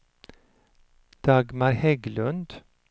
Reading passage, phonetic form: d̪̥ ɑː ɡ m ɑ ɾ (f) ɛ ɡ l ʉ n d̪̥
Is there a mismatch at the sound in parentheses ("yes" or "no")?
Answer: yes